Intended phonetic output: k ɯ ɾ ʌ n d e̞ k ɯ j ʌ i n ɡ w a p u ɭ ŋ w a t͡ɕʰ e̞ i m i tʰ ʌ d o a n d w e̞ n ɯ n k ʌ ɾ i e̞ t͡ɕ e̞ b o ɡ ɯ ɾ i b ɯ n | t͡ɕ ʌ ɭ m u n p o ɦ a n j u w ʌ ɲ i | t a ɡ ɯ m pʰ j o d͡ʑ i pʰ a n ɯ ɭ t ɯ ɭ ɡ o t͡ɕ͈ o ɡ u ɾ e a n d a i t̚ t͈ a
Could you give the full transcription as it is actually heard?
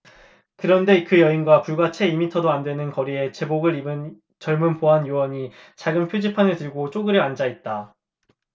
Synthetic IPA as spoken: k ɯ ɾ ʌ n d e̞ k ɯ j ʌ i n ɡ w a p u ɭ ɡ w a t͡ɕʰ e̞ i m i tʰ ʌ d o a n d w e̞ n ɯ n k ʌ ɾ i e̞ t͡ɕ e̞ b o ɡ ɯ ɾ i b ɯ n | t͡ɕ ʌ ɭ m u n p o ɦ a n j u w ʌ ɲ i | t͡ɕ a ɡ ɯ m pʰ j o d͡ʑ i pʰ a n ɯ ɭ t ɯ ɭ ɡ o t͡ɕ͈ o ɡ ɯ ɾ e a n d͡ʑ a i t̚ t͈ a